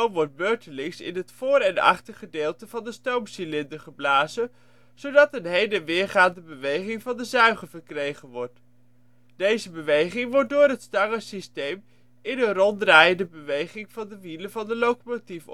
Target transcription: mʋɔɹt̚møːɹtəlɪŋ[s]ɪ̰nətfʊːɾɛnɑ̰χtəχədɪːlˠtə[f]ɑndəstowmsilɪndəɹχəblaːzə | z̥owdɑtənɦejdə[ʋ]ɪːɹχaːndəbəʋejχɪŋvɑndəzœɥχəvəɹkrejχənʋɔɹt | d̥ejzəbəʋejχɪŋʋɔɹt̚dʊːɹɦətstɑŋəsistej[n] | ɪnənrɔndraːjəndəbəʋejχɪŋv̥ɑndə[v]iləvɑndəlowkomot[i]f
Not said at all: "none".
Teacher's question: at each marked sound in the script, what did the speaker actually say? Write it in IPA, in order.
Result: s, v, ʋ, m, ʋ, i

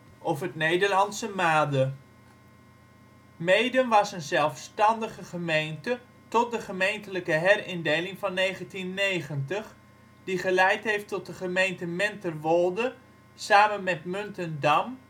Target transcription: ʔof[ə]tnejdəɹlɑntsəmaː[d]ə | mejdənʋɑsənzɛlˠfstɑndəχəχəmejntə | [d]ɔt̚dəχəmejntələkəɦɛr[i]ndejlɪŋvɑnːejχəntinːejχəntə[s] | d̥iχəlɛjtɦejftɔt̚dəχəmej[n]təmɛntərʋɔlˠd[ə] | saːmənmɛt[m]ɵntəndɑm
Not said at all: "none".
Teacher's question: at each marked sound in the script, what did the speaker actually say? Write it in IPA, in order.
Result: ə, d, t, ɪ, χ, n, ə, m

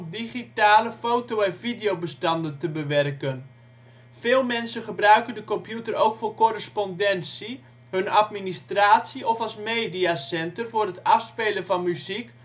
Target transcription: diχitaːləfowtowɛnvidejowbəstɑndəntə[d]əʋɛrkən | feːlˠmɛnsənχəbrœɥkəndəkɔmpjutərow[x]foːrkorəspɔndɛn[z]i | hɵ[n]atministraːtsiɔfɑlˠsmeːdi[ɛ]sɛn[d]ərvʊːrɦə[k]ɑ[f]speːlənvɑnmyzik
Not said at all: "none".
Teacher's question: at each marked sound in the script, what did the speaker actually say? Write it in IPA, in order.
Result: b, k, s, n, a, t, t, f

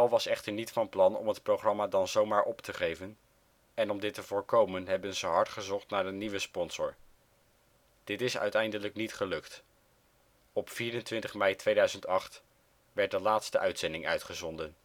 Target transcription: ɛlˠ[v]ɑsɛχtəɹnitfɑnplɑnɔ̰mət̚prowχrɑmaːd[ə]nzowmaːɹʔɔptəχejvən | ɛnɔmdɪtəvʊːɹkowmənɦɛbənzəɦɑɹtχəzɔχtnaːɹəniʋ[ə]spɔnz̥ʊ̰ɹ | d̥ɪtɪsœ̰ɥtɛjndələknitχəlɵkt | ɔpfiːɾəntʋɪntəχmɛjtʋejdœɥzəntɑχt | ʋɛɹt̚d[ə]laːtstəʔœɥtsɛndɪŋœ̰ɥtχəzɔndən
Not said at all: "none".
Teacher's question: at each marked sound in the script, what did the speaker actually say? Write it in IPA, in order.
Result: ʋ, ɑ, ə, ə

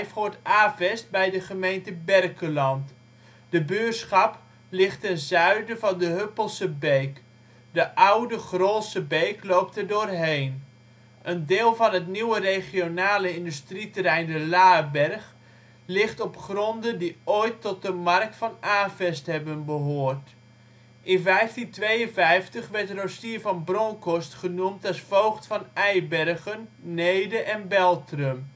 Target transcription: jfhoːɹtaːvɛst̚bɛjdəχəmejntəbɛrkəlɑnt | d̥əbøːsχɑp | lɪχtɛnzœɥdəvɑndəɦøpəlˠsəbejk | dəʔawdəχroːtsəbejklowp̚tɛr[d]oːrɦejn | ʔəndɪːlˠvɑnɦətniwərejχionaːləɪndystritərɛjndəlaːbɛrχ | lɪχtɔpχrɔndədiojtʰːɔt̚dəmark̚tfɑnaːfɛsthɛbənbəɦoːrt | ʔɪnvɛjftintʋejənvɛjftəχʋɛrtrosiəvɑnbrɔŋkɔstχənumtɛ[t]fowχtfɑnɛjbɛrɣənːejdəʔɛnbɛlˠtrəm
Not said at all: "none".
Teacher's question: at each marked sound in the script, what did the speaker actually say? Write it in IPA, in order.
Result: d, s

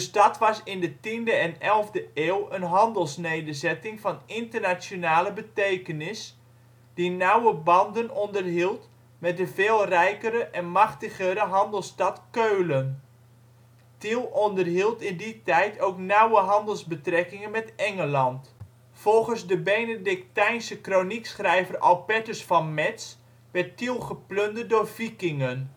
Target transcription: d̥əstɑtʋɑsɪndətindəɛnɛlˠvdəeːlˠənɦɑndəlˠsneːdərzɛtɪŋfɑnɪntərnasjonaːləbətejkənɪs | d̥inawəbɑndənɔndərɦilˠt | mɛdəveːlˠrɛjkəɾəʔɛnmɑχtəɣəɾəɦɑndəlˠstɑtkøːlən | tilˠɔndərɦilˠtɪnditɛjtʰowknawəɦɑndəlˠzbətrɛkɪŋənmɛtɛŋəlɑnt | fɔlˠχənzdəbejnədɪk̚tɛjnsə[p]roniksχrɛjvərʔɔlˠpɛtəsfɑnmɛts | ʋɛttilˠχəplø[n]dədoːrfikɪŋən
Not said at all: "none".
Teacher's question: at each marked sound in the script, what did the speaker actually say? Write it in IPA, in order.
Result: k, n

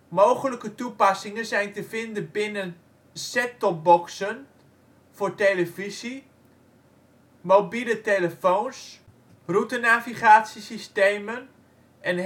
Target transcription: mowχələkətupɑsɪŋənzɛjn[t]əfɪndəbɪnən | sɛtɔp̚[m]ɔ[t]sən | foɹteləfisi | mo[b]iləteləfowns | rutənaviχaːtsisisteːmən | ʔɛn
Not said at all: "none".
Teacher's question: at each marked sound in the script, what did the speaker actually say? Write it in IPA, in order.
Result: t, b, k, b

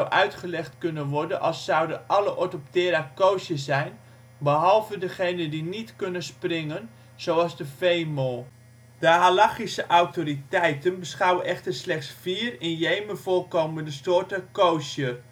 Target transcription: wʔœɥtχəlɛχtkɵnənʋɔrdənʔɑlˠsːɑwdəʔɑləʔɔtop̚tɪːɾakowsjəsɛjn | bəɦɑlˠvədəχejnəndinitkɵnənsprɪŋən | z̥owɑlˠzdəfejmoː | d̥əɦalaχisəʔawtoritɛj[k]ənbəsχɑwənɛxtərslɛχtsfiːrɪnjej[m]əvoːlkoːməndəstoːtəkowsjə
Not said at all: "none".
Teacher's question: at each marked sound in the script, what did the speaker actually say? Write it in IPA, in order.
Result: t, m

